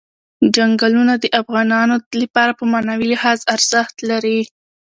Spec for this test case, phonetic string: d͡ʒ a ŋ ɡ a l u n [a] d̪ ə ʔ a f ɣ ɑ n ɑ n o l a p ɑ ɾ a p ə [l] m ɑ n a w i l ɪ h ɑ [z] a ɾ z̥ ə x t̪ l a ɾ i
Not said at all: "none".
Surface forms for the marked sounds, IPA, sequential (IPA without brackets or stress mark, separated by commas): a, none, z